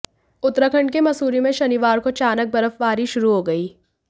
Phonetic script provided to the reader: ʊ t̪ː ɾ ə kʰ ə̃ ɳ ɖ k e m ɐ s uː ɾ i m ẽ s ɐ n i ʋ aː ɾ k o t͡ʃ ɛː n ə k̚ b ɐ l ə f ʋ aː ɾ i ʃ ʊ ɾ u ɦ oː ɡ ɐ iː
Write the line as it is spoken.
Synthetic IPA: ʊ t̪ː ɾ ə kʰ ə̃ ɳ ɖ k e m ɐ s uː ɾ i m ẽ ʃ ɐ n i ʋ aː ɾ k o t͡ʃ aː n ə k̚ b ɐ ɾ ə f ʋ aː ɾ i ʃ ʊ ɾ u ɦ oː ɡ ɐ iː